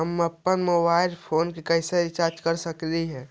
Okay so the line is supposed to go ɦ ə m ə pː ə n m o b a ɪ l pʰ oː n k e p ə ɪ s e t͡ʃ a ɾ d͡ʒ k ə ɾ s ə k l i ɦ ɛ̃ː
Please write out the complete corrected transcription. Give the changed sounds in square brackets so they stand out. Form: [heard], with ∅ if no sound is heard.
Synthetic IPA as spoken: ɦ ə m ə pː ə n m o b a ɪ l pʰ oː n k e [k] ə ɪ s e t͡ʃ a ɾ d͡ʒ k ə ɾ s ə k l i ɦ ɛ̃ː

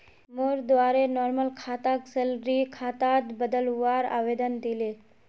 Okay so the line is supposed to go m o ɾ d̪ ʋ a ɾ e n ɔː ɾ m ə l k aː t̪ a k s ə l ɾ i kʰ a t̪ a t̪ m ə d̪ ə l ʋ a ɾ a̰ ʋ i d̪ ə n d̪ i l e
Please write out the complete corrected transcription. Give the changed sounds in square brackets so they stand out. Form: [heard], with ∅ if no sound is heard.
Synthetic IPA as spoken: m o ɾ d̪ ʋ a ɾ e n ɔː ɾ m ə l [kʰ] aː t̪ a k s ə l ɾ i kʰ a t̪ a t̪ [b] ə d̪ ə l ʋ a ɾ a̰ ʋ [e] d̪ ə n d̪ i l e

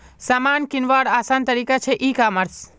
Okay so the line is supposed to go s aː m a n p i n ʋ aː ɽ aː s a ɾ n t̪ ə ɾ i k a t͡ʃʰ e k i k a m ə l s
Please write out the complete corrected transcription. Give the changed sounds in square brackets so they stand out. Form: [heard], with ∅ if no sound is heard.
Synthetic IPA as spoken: s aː m a n [k] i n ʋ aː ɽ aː s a [∅] n t̪ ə ɾ i k a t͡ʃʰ e [ʔ] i k a m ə [ɾ] s

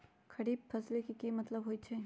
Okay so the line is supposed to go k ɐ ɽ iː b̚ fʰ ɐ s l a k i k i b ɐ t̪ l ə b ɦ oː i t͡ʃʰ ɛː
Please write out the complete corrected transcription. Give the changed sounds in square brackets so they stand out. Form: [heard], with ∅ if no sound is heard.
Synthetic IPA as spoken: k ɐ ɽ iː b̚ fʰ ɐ s l [e] k i k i [m] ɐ t̪ l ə b ɦ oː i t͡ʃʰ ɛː

